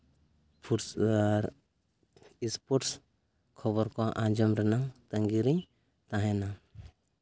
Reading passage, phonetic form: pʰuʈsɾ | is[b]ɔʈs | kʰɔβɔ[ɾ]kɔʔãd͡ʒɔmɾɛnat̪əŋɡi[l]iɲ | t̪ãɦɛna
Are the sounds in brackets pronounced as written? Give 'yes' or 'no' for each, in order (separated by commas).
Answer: no, yes, no